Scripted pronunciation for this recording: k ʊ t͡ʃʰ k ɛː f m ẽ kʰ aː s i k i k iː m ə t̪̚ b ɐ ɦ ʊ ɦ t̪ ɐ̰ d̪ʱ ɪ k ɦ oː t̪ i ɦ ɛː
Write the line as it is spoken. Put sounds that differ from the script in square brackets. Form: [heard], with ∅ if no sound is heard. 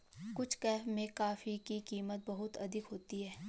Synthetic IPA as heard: k ʊ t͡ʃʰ k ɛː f m ẽ [k] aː [f] i k i k iː m ə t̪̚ b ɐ ɦ ʊ [∅] t̪ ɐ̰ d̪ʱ ɪ k ɦ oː t̪ i ɦ ɛː